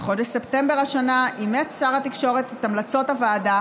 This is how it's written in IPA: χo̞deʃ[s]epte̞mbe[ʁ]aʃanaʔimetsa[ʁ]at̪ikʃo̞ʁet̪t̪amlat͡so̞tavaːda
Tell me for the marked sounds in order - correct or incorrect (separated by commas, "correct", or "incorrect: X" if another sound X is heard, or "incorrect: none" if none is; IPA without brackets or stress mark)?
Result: correct, correct, correct